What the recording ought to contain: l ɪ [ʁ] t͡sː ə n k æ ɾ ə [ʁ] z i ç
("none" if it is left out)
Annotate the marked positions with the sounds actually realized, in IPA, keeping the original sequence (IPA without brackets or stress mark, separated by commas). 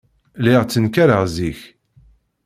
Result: ʁ, ʁ